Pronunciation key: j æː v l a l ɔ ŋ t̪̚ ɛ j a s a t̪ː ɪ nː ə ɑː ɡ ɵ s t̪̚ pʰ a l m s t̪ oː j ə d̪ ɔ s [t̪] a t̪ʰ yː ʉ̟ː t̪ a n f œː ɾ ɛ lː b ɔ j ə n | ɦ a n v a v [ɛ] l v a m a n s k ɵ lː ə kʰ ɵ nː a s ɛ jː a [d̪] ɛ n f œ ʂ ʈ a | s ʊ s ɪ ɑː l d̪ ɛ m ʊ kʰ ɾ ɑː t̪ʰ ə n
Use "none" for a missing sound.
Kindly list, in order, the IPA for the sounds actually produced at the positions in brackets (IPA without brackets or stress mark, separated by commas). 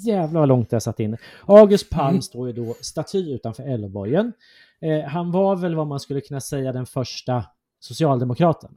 t̪, ɛ, d̪